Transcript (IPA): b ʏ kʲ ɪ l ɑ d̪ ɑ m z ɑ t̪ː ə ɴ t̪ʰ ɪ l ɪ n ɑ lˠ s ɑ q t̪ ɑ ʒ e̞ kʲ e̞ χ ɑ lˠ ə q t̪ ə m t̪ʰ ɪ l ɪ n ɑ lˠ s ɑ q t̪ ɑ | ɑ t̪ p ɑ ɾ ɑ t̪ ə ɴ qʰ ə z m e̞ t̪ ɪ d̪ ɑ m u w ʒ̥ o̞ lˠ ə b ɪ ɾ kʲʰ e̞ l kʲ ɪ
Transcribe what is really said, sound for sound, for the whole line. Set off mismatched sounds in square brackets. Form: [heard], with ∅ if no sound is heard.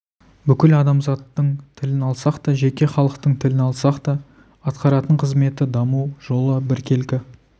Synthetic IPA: b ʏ kʲ ɪ l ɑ d̪ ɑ m z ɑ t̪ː ə ɴ t̪ʰ ɪ l ɪ n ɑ lˠ s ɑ q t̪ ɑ ʒ e̞ kʲ e̞ χ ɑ lˠ ə q t̪ ə [ɴ] t̪ʰ ɪ l ɪ n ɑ lˠ s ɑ q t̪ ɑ | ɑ t̪ [q] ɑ ɾ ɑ t̪ ə ɴ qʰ ə z m e̞ t̪ ɪ d̪ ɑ m u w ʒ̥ o̞ lˠ ə b ɪ ɾ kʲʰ e̞ l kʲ ɪ